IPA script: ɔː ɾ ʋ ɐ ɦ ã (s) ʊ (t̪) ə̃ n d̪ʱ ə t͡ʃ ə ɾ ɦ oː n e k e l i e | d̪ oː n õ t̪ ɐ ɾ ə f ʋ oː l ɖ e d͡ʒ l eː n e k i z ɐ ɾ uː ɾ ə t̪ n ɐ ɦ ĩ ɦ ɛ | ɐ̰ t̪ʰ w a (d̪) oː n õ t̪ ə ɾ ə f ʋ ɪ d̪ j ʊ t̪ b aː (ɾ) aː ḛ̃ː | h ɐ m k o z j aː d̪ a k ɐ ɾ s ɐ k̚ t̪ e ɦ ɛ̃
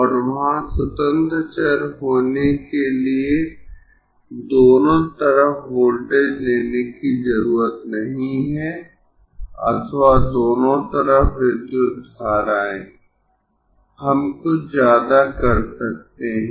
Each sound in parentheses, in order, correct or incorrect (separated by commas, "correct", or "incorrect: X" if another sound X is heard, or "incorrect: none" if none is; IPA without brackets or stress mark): correct, correct, correct, correct